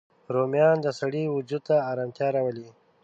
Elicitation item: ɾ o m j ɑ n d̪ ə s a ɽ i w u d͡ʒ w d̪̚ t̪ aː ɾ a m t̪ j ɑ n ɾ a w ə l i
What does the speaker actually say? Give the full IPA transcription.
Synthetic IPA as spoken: ɾ o m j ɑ n d̪ ə s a ɽ i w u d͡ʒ u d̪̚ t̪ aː ɾ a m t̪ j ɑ ɾ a w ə l i